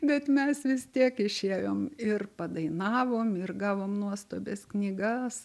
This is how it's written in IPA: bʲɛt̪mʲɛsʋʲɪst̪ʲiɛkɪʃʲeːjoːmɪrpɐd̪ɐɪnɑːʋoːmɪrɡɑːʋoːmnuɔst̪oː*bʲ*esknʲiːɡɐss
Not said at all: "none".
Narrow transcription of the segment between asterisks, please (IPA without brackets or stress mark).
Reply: bʲ